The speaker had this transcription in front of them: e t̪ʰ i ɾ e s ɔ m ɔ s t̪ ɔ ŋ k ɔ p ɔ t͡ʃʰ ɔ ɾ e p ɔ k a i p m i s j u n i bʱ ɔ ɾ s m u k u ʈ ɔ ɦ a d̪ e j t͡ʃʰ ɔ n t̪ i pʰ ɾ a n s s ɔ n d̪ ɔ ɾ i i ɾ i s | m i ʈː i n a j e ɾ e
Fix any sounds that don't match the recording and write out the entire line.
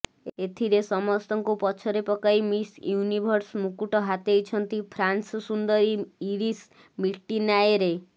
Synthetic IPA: e t̪ʰ i ɾ e s ɔ m ɔ s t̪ ɔ ŋ k u p ɔ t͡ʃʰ ɔ ɾ e p ɔ k a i m i s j u n i bʱ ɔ ɾ s m u k u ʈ ɔ ɦ a t̪ e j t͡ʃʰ ɔ n t̪ i pʰ ɾ a n s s u n d̪ ɔ ɾ i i ɾ i s | m i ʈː i n a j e ɾ e